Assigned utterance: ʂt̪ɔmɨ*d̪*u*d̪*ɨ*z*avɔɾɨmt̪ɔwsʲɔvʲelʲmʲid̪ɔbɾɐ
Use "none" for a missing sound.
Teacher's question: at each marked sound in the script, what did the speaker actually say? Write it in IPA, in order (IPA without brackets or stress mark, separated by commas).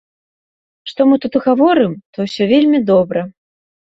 t̪, t̪, ɣ